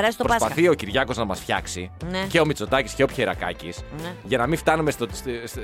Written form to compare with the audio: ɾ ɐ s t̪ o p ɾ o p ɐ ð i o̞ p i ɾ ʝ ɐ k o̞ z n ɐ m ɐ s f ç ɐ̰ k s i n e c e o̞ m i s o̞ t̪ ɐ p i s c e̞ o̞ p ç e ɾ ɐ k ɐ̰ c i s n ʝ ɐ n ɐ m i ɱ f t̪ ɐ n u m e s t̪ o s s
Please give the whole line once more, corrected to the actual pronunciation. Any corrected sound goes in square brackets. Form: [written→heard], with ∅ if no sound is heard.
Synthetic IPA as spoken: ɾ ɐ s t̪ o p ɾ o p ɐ [ð→θ] i o̞ [p→c] i ɾ ʝ ɐ k o̞ z n ɐ m ɐ s f ç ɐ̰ k s i n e c e o̞ m i [s→t͡s] o̞ t̪ ɐ [p→c] i s c e̞ o̞ p ç e ɾ ɐ k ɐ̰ c i s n ʝ ɐ n ɐ m i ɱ f t̪ ɐ n u m e s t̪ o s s